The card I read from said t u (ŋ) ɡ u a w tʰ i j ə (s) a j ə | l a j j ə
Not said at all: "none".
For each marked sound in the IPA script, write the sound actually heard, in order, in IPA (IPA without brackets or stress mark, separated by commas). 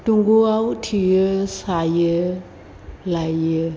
ŋ, s